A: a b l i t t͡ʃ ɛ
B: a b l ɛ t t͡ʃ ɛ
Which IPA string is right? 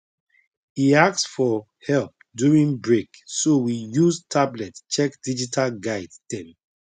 B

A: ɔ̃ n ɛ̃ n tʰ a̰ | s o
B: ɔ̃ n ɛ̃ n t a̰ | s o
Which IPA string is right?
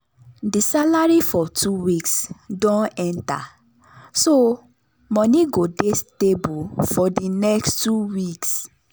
B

